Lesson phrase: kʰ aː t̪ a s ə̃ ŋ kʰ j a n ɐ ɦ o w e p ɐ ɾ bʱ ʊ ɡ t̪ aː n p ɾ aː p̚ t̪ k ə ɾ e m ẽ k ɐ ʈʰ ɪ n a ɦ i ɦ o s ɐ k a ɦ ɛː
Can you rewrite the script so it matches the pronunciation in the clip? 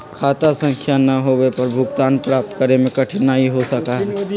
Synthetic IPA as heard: kʰ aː t̪ a s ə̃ ŋ kʰ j a n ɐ ɦ o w e p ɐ ɾ bʱ ʊ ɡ t̪ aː n p ɾ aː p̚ t̪ k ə ɾ e m ẽ k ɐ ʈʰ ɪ n a ɦ i ɦ o s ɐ k a ɦ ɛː